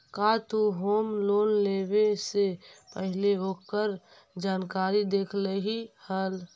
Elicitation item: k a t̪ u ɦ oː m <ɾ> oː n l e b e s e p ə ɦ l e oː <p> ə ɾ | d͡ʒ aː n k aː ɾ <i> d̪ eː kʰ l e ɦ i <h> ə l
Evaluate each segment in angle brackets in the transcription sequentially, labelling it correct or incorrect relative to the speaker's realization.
incorrect: l, incorrect: k, correct, correct

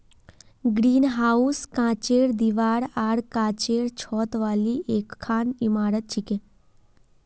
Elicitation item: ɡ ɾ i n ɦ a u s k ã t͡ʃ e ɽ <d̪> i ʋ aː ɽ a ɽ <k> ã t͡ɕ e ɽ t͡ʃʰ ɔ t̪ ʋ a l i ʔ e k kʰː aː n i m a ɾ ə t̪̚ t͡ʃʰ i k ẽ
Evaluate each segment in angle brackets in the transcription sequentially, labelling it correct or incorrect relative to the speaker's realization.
correct, correct

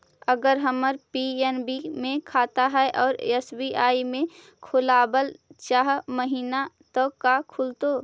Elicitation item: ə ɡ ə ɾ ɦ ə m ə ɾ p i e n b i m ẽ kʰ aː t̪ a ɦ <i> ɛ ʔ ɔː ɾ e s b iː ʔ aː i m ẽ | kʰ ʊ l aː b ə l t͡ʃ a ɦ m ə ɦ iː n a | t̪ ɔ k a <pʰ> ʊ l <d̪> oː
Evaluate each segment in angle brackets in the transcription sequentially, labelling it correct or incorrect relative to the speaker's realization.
incorrect: ɛ, incorrect: kʰ, incorrect: t̪

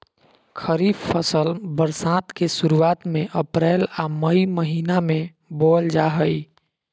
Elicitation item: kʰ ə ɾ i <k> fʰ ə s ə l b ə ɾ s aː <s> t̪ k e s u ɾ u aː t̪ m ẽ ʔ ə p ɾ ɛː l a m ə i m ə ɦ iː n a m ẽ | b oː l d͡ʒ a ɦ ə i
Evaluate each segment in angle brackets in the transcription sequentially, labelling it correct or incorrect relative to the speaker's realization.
incorrect: none, incorrect: none

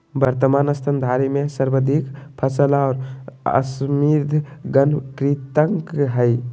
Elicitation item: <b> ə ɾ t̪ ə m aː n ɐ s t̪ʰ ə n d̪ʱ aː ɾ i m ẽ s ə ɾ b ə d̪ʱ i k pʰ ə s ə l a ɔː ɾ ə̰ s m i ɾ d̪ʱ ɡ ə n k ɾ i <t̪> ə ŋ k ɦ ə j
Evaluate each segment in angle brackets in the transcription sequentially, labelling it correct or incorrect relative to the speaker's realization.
correct, correct

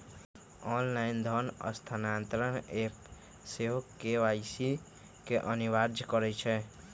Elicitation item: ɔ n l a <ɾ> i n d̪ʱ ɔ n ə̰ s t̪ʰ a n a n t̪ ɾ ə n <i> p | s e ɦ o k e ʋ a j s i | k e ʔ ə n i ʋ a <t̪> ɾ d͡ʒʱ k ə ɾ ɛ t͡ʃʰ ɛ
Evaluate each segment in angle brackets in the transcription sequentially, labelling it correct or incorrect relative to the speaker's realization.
incorrect: none, incorrect: e, incorrect: none

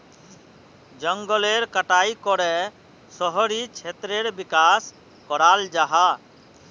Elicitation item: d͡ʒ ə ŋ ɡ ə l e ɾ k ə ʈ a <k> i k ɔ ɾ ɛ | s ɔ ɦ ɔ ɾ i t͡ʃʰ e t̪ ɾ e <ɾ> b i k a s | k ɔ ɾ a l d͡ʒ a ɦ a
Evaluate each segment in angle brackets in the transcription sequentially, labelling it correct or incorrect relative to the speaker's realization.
incorrect: none, correct

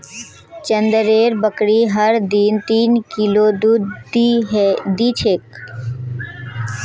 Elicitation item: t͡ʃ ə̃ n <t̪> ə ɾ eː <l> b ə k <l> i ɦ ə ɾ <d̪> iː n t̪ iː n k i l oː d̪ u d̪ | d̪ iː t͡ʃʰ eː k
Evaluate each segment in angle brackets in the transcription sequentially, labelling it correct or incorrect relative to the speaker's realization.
incorrect: d̪, incorrect: ɾ, incorrect: ɽ, correct

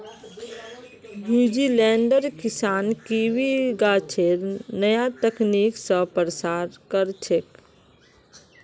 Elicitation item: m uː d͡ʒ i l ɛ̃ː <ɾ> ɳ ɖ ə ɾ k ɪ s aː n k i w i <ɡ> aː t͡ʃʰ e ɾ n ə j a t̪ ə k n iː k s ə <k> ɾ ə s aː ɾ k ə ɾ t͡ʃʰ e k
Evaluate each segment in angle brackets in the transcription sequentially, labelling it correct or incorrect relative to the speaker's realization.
incorrect: none, correct, incorrect: p

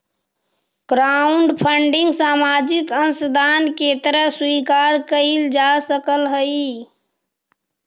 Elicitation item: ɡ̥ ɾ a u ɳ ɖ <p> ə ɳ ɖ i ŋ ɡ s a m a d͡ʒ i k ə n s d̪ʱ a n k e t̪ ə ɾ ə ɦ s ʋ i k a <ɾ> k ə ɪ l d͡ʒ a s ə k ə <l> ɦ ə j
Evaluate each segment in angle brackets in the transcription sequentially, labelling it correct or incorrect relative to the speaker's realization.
incorrect: pʰ, correct, correct

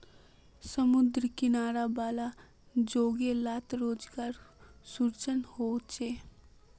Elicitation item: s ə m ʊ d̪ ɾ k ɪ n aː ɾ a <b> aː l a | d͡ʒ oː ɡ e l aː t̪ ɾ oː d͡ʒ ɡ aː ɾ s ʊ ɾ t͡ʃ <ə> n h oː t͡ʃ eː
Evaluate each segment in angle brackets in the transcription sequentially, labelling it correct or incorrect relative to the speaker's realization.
correct, correct

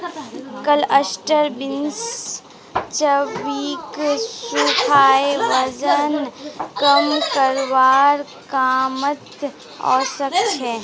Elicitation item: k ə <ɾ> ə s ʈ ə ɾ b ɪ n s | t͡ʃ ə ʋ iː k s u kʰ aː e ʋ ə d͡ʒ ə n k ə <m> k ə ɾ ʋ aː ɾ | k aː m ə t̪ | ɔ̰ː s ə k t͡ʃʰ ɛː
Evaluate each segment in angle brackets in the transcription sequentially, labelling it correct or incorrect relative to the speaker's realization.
incorrect: l, correct

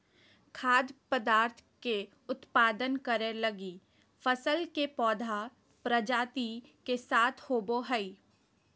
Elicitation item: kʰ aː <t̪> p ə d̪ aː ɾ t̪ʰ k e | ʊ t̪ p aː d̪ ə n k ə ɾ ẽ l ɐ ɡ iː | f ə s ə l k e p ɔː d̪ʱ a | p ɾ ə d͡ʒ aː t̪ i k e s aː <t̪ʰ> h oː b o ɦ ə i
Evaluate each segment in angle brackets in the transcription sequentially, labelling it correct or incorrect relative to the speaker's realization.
incorrect: d̪, correct

